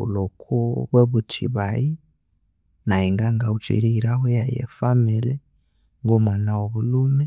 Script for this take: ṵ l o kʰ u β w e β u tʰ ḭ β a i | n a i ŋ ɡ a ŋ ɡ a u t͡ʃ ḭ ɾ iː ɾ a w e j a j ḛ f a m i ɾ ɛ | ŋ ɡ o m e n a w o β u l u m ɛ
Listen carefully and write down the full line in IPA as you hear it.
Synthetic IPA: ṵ l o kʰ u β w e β u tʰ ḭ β a i | n a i ŋ ɡ a ŋ ɡ a u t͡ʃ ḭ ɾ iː ɾ a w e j a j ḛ f a m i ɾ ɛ | ŋ ɡ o m a n a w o β u l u m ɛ